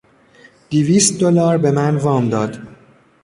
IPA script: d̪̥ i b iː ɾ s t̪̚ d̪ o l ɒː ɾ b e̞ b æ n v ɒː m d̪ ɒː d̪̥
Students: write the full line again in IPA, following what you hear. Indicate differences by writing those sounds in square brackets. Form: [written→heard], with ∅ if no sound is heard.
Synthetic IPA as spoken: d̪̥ i [b→v] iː [ɾ→∅] s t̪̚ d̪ o l ɒː ɾ b e̞ [b→m] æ n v ɒː m d̪ ɒː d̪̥

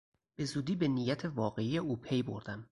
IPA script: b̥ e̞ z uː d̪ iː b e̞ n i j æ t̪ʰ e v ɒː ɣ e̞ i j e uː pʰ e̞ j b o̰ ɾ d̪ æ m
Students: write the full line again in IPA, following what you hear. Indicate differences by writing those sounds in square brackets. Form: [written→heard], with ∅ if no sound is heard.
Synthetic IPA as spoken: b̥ e̞ z uː d̪ iː b e̞ n i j æ t̪ʰ e v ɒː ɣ e̞ i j e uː pʰ e̞ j b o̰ ɾ d̪ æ m

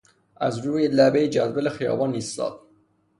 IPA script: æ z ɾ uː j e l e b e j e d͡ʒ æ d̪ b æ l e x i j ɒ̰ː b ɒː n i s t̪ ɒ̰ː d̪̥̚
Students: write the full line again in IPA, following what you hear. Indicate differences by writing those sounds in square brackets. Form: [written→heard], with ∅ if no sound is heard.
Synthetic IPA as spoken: æ z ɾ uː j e l [e→æ] b e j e d͡ʒ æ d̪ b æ l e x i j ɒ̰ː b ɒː n i s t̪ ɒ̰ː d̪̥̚

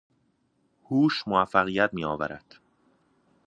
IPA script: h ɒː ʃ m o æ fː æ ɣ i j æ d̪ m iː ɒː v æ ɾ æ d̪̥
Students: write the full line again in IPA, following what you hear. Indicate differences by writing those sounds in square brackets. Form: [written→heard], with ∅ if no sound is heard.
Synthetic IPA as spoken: h [ɒː→uː] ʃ m o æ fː æ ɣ i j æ [d̪→t̪] m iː ɒː v æ ɾ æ d̪̥

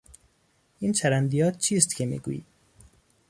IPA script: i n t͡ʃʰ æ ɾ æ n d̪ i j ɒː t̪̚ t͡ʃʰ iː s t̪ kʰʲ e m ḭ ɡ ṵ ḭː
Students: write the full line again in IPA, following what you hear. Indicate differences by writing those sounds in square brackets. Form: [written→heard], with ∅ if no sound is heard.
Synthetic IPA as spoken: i n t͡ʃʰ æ ɾ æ n d̪ i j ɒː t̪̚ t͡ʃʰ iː s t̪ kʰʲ e m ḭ ɡ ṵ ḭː

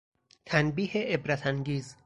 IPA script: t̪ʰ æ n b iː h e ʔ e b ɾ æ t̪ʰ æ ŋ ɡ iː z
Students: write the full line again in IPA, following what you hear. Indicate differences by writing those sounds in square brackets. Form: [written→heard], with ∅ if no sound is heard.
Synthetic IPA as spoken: t̪ʰ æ n b iː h e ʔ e b ɾ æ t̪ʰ æ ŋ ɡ iː z

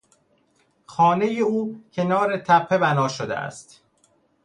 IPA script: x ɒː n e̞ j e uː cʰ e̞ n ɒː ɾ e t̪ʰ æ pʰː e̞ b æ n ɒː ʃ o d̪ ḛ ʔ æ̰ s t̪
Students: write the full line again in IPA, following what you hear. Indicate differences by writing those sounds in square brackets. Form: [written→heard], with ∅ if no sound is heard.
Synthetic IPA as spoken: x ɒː n e̞ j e uː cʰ e̞ n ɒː ɾ e t̪ʰ æ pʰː e̞ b æ n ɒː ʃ o d̪ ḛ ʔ æ̰ s t̪

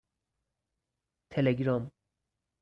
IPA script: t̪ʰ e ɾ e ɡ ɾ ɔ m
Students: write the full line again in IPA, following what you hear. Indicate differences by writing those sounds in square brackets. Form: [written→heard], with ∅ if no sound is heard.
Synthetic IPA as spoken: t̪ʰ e [ɾ→l] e ɡ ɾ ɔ m

